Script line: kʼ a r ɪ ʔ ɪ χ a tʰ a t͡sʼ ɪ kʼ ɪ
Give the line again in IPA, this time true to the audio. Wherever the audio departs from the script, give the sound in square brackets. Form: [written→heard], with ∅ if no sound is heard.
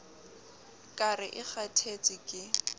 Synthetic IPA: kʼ a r ɪ ʔ ɪ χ a tʰ [a→e] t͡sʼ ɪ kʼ ɪ